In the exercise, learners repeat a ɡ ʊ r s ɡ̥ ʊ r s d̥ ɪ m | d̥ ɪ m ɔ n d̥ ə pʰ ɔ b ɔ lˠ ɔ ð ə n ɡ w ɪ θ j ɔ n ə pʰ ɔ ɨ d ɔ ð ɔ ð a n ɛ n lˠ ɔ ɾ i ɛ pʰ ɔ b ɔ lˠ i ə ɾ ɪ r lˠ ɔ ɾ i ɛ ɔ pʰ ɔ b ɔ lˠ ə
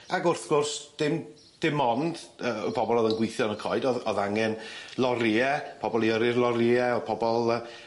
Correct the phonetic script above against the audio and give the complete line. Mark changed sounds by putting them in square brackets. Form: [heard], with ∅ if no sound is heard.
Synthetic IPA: a ɡ ʊ r [θ] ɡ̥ ʊ r s d̥ ɪ m | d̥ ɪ m ɔ n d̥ ə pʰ ɔ b ɔ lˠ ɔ ð ə n ɡ w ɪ θ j ɔ n ə [kʰ] ɔ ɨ d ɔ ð ɔ ð a [ŋ] ɛ n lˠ ɔ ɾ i ɛ pʰ ɔ b ɔ lˠ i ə ɾ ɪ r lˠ ɔ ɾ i ɛ ɔ pʰ ɔ b ɔ lˠ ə